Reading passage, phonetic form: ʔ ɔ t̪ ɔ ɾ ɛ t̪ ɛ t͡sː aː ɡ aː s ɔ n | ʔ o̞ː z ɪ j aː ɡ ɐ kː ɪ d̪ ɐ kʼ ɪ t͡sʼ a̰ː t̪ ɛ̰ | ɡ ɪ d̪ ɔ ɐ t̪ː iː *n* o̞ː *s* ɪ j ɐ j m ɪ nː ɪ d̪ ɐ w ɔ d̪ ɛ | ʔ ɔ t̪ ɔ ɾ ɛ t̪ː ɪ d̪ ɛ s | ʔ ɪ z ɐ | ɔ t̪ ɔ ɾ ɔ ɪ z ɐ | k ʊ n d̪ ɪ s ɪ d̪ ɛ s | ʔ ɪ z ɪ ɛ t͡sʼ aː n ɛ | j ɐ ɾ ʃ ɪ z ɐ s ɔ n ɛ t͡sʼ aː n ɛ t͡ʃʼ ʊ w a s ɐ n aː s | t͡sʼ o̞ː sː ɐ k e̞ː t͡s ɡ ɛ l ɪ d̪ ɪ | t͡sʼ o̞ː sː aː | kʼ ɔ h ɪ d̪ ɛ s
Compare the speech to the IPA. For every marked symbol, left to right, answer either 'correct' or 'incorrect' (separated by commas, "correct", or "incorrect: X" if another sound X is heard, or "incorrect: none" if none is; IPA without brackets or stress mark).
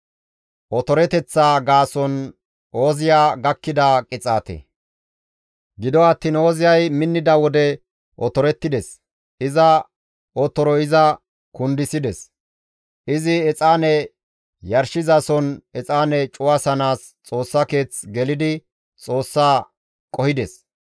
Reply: correct, incorrect: z